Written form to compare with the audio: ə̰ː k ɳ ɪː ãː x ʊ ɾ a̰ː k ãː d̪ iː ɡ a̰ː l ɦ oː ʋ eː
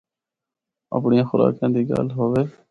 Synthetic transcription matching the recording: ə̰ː p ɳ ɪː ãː x ʊ ɾ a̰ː k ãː d̪ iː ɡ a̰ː l ɦ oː ʋ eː